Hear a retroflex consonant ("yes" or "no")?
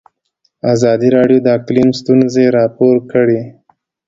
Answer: yes